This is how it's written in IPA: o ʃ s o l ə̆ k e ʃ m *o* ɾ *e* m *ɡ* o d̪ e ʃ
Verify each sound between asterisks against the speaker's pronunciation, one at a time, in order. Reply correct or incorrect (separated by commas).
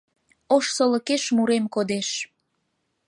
incorrect, correct, incorrect